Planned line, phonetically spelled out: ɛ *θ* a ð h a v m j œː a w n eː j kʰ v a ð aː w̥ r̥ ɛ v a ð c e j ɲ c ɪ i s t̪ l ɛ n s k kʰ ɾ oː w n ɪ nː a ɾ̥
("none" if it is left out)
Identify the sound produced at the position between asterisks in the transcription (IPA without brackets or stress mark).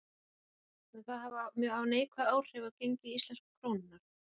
θ